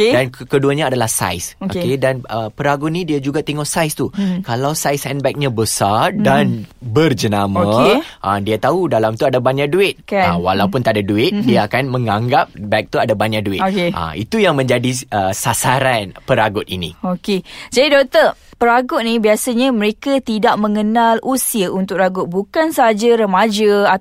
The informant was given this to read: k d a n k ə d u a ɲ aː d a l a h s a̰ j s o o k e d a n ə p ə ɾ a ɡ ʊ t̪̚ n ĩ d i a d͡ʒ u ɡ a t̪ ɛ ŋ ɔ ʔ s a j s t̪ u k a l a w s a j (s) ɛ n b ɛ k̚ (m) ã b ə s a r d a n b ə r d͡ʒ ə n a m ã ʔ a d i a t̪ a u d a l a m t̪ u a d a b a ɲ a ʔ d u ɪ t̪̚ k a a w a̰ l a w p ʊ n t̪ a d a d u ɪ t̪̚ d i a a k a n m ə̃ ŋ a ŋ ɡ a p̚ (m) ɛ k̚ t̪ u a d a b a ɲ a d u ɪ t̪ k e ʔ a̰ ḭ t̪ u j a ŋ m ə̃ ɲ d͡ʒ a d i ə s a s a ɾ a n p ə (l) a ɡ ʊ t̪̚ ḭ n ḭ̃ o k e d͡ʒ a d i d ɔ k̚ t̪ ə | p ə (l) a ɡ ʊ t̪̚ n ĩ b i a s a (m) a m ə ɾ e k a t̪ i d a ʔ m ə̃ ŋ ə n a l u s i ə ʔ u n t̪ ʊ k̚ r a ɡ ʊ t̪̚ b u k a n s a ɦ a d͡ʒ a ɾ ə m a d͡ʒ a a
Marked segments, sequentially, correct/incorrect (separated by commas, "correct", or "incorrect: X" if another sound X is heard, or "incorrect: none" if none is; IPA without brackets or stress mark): correct, incorrect: ɲ, incorrect: b, incorrect: ɾ, incorrect: ɾ, incorrect: ɲ